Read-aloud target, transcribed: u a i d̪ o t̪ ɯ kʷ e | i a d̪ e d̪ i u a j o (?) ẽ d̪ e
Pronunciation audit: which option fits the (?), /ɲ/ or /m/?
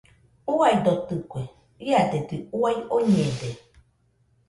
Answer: ɲ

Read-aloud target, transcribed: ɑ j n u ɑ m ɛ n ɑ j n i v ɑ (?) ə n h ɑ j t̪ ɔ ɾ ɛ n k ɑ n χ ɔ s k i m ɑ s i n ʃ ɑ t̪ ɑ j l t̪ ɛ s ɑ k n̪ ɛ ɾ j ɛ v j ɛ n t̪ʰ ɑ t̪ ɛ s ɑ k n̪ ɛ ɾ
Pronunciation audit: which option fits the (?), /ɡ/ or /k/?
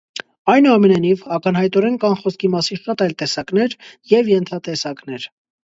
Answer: k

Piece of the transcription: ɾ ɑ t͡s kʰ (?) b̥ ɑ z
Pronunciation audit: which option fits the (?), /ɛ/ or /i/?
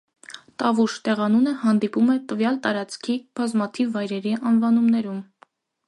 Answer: i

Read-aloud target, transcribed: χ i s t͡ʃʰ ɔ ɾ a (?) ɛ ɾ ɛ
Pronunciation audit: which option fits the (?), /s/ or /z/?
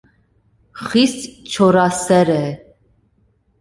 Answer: s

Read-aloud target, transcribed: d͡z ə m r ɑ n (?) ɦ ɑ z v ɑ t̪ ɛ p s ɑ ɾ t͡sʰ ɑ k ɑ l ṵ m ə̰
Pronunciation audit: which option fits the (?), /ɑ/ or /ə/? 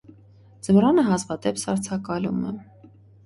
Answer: ə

